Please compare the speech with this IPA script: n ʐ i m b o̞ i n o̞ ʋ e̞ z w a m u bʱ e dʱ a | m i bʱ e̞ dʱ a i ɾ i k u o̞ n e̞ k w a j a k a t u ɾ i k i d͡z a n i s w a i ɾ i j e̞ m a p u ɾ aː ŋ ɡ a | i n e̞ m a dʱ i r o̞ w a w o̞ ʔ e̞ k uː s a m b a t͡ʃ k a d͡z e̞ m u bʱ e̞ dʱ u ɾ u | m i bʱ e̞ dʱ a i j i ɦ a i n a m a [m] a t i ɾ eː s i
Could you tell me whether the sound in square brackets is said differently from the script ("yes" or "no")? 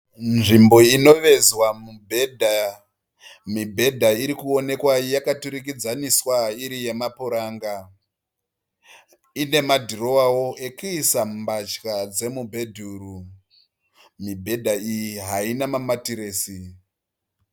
no